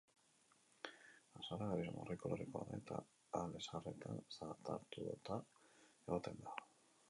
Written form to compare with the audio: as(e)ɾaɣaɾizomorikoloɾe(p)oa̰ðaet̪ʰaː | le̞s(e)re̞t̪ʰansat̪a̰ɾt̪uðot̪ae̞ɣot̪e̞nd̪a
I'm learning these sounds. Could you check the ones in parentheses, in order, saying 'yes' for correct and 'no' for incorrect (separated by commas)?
no, no, no